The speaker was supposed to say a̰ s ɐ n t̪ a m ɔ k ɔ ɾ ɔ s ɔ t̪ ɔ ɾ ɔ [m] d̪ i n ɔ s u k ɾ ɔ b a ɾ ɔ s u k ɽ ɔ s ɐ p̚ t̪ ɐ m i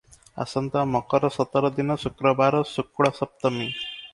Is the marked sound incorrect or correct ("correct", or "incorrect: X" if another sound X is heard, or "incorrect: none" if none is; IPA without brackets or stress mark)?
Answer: incorrect: none